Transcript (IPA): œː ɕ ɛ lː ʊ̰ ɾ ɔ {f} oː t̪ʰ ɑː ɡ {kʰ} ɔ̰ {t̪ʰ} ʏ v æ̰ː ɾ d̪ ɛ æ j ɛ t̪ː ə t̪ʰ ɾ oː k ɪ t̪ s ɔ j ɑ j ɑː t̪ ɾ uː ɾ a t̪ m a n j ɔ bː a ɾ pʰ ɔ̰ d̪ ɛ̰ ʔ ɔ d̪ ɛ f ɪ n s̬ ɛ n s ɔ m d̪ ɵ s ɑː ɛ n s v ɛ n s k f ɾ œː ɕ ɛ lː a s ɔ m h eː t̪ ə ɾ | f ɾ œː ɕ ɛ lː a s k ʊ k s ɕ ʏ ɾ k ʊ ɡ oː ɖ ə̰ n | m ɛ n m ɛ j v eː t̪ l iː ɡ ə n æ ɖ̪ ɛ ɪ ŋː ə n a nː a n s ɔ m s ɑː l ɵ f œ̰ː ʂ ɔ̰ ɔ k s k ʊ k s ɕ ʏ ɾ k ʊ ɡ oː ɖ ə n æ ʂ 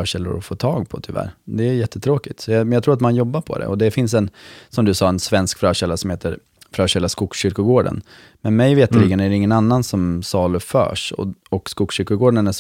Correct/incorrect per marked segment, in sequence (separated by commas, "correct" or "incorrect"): correct, incorrect, correct